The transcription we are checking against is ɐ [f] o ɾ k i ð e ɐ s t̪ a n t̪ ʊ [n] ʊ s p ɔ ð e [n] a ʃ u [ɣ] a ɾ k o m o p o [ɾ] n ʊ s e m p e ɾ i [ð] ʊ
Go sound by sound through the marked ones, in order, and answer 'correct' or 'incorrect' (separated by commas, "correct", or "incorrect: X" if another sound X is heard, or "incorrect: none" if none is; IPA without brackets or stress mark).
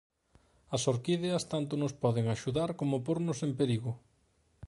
incorrect: s, correct, incorrect: ŋ, incorrect: ð, correct, incorrect: ɣ